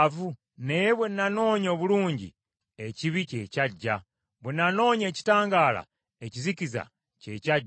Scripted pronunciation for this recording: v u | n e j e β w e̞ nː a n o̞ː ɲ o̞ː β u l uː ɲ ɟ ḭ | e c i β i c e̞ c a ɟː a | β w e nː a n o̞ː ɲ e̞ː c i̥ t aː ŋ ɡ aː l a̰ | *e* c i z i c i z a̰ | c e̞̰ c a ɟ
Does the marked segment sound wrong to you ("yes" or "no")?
no